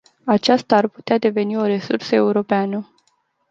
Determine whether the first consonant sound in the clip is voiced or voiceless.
voiceless